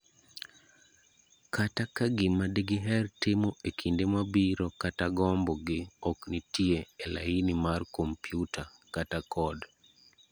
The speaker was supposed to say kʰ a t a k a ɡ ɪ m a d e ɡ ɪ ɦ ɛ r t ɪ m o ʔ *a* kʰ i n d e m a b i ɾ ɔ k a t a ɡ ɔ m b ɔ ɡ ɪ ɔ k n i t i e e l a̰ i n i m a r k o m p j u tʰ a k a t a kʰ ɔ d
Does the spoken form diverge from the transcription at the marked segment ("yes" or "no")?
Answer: yes